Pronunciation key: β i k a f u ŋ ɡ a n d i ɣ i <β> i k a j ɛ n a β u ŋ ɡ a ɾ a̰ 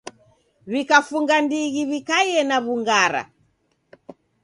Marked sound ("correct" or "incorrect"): correct